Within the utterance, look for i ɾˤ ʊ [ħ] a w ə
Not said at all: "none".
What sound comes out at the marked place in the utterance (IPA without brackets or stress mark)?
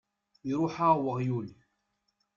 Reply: ħ